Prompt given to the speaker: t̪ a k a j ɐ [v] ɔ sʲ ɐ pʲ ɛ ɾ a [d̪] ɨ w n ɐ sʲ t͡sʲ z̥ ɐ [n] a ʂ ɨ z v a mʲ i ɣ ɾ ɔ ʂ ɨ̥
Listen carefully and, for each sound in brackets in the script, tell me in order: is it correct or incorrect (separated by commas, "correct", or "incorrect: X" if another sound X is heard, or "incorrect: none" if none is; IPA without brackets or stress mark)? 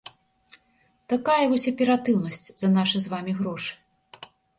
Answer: correct, incorrect: t̪, correct